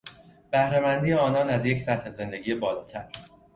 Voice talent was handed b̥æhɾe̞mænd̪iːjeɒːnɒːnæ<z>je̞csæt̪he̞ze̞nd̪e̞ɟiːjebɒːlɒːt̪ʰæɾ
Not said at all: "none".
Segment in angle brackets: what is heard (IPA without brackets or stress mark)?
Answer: z